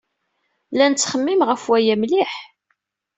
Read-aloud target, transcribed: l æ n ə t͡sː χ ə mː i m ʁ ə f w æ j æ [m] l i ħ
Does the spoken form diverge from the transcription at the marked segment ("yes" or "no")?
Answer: no